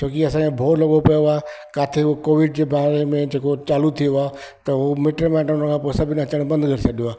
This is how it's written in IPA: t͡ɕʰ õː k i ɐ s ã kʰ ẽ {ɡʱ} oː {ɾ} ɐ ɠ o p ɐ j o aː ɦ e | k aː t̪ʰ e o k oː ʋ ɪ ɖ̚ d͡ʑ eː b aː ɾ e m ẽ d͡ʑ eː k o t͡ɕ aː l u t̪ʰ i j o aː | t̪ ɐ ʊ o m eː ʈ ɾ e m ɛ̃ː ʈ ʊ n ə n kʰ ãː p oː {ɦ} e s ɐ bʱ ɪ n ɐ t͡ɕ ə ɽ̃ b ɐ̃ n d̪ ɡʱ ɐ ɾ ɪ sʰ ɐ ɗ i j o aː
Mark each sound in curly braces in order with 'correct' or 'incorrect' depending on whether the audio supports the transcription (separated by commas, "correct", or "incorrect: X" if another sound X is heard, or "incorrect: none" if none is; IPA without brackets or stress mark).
incorrect: bʱ, incorrect: l, incorrect: none